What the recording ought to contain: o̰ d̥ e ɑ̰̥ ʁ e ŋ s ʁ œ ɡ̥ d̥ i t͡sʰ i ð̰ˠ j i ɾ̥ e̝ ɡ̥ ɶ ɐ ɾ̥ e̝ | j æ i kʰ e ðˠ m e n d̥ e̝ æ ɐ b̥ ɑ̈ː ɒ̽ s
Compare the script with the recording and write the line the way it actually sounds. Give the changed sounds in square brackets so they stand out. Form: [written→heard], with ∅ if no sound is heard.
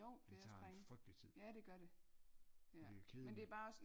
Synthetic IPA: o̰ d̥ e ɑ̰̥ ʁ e ŋ [s→f] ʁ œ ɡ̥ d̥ i t͡sʰ i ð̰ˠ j [i→æ] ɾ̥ e̝ ɡ̥ ɶ ɐ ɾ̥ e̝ | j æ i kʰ e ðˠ m e n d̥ e̝ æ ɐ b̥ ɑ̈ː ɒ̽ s